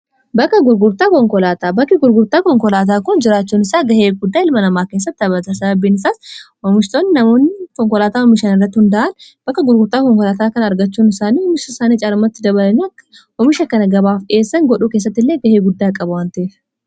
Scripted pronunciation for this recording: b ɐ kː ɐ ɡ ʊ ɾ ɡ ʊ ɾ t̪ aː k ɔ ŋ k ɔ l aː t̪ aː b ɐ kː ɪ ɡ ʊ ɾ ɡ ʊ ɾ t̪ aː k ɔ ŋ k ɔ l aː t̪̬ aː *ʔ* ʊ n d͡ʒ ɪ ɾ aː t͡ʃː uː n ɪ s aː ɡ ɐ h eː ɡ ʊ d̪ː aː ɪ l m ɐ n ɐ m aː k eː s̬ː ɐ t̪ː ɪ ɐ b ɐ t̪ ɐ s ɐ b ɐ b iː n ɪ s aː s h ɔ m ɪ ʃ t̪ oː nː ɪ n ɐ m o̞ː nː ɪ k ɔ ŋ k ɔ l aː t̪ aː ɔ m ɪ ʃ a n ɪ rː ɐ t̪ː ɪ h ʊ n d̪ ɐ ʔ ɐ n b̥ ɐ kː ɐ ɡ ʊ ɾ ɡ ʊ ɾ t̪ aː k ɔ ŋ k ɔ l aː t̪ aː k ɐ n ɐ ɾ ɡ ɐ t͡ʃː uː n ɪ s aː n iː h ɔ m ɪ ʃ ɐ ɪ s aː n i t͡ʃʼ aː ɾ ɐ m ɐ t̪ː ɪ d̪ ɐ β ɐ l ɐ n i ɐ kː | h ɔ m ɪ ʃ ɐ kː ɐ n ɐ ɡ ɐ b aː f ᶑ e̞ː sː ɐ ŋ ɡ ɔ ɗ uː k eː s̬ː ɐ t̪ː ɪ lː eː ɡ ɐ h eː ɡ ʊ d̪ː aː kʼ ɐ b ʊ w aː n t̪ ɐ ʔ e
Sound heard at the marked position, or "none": k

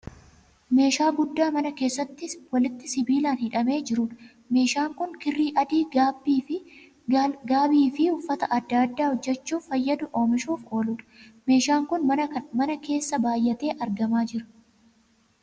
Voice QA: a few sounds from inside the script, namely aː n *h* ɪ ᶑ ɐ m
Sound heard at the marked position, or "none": h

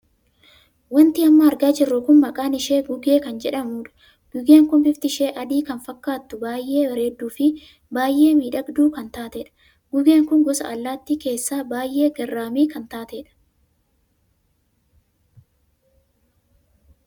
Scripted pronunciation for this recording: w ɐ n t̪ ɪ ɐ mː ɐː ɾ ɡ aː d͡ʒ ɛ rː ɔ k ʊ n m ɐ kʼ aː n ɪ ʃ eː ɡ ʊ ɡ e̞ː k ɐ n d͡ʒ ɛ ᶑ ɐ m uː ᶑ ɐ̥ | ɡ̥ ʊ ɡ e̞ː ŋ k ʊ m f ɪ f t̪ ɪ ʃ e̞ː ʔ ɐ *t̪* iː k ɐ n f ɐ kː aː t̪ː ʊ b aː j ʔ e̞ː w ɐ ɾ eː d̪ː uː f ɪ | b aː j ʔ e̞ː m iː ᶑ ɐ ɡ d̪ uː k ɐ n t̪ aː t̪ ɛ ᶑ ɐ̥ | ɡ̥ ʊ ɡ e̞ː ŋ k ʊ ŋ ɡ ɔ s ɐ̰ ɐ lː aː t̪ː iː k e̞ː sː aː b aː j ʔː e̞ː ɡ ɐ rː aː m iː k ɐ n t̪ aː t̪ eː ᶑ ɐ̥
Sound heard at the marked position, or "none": d̪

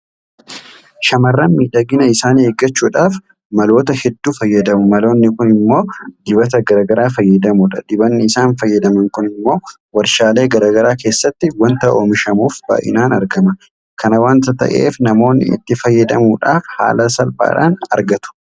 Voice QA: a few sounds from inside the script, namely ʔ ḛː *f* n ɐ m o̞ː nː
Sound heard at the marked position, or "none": f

